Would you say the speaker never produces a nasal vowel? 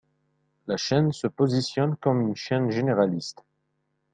yes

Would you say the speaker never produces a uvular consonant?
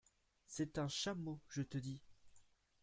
yes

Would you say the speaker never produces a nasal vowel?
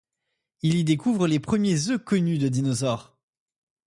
yes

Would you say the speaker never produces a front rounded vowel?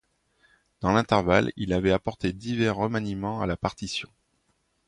yes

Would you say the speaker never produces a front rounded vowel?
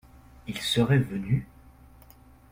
no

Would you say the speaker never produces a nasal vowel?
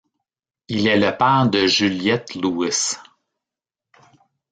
yes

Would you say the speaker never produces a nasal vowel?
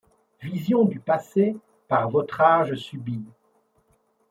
no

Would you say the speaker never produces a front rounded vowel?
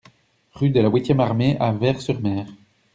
no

